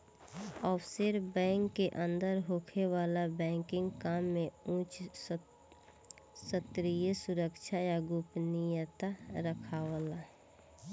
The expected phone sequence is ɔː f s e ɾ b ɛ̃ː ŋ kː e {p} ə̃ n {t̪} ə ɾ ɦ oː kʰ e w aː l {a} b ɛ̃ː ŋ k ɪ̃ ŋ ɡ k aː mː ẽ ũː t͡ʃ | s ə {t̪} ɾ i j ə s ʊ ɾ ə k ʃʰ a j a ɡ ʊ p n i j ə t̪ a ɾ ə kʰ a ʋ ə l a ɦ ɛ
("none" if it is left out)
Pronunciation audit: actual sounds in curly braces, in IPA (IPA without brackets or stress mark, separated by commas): ʔ, d̪, a, t̪